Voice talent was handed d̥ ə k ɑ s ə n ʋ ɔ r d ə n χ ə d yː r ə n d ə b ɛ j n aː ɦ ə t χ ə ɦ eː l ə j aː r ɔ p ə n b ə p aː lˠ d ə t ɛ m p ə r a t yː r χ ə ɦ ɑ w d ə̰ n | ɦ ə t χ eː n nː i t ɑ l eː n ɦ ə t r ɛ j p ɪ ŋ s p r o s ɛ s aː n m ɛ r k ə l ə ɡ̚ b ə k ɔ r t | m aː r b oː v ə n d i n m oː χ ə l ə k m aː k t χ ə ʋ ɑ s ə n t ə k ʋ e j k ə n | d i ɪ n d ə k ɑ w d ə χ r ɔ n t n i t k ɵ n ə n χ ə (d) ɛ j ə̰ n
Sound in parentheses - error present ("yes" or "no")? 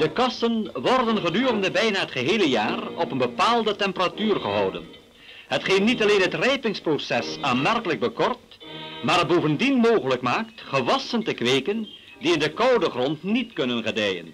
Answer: no